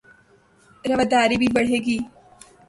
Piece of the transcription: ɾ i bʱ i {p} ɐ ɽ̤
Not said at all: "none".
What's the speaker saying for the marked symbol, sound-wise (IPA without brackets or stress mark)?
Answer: b